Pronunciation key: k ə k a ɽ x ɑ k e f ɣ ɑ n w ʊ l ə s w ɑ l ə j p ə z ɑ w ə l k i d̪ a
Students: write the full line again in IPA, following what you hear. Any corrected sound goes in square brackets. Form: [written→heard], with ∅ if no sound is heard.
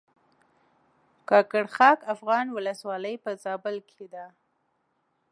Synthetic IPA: k [ə→ɑ] k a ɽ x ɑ k [e→a] f ɣ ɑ n w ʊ l ə s w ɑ l ə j p ə z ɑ [w→b] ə l k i d̪ a

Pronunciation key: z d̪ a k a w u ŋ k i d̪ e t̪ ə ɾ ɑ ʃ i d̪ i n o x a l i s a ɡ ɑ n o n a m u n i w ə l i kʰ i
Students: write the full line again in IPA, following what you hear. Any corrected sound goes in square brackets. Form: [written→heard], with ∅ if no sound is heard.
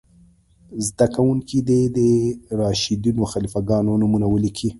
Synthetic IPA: z d̪ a k a w u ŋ k i d̪ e [t̪→d̪] ə ɾ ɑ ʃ i d̪ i n o x a l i [s→f] a ɡ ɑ n o n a m u n [i→a] w ə l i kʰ i

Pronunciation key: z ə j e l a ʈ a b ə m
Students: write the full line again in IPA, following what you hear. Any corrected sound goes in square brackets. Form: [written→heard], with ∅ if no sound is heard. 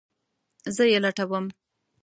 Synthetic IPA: z ə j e l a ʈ a [b→w] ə m

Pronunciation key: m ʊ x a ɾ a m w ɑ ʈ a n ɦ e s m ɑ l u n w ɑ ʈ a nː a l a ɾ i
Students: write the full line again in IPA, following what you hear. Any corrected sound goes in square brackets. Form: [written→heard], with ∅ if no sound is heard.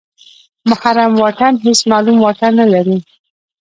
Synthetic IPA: m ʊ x a ɾ a m w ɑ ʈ a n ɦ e s m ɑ l u [n→m] w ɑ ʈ a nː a l a ɾ i

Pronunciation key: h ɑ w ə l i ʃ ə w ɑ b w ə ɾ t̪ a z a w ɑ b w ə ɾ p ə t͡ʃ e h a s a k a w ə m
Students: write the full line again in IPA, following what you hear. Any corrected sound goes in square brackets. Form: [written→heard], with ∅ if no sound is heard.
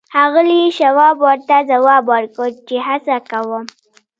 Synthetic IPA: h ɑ [w→ɣ] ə l i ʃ [ə→a] w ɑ b w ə ɾ t̪ a z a w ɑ b w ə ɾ [p→k] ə t͡ʃ e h a s a k a w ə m

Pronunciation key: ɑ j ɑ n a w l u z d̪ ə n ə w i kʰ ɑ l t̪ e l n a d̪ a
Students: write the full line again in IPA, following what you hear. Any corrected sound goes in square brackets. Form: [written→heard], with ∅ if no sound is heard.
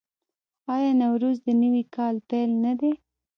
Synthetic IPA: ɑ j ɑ n a w [l→ɾ] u z d̪ ə n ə w i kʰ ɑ l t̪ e l n a d̪ [a→e]

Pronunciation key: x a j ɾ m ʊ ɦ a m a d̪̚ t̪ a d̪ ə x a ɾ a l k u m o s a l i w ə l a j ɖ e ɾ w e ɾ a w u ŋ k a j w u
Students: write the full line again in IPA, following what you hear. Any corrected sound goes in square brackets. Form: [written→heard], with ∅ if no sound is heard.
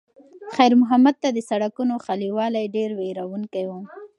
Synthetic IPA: x a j ɾ m ʊ ɦ a m a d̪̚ t̪ a d̪ ə [x→s] a [ɾ→ɽ] a [l→∅] k u [m→n] o [s→x] a l i w [ə→ɑ] l a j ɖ e ɾ w e ɾ a w u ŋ k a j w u

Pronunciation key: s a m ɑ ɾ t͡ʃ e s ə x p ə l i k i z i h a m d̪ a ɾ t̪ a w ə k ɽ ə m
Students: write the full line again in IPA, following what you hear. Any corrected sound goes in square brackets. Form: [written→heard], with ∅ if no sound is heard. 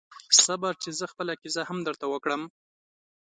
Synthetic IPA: s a [m→b] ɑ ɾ t͡ʃ e [s→z] ə x p ə l [i→a] k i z [i→a] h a m d̪ [a→ə] ɾ t̪ a w ə k ɽ ə m

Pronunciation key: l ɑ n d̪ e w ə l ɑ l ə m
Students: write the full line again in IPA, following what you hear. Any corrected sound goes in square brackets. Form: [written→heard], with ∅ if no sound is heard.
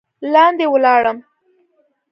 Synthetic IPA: l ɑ n d̪ e w ə l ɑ [l→ɽ] ə m

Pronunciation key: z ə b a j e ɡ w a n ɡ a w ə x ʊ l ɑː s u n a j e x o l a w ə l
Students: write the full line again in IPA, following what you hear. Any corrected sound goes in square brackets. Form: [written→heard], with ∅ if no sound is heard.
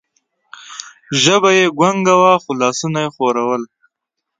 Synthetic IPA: [z→ʒ] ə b a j e ɡ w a [n→ŋ] ɡ a w [ə→a] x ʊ l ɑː s u n a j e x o [l→ɾ] a w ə l

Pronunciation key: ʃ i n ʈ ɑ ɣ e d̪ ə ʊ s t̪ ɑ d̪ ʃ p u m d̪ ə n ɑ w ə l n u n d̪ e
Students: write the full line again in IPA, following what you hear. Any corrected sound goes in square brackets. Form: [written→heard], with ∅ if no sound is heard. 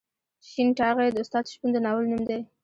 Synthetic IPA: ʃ i n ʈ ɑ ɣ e d̪ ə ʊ s t̪ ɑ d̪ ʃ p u [m→n] d̪ ə n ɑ w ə l n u [n→m] d̪ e

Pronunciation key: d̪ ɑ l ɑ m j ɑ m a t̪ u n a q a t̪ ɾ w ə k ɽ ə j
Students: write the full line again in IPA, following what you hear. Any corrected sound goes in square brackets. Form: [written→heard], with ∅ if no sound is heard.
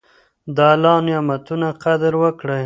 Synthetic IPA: d̪ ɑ l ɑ [m→n] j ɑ m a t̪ u n a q a [t̪→d̪] ɾ w ə k ɽ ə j

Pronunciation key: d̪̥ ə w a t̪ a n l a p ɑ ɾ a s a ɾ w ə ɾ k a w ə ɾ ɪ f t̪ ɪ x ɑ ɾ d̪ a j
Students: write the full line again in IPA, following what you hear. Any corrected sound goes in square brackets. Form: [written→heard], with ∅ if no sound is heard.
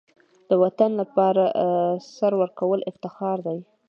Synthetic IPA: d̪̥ ə w a t̪ a n l a p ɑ ɾ a s a ɾ w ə ɾ k a w ə [ɾ→l] ɪ f t̪ ɪ x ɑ ɾ d̪ a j

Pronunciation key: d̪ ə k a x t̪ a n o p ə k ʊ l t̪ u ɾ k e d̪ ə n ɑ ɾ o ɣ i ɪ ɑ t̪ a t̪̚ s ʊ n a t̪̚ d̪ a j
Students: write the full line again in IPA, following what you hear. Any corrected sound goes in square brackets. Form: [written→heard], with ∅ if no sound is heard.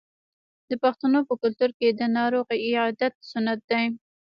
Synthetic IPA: d̪ ə [k→p] a x t̪ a n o p ə k ʊ l t̪ u ɾ k e d̪ ə n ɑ ɾ o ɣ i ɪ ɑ [t̪→d̪] a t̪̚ s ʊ n a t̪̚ d̪ a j

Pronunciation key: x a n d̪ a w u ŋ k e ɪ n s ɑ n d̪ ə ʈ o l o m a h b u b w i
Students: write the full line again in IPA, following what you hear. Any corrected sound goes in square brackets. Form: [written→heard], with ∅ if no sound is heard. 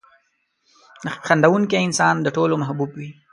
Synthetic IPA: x a n d̪ a w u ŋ k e ɪ n s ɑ n d̪ ə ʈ o l o m a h b u b w i

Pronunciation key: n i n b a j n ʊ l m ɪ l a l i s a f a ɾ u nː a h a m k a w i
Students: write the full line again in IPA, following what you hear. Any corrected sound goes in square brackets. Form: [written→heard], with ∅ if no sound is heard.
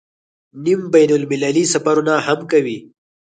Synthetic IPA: n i [n→m] b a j n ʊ l m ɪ l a l i s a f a ɾ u [nː→n] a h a m k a w i

